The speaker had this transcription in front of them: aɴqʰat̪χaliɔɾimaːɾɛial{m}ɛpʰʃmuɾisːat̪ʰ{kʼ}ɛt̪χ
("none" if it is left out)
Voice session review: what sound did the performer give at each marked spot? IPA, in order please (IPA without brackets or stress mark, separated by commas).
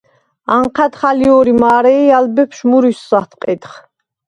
b, qʼ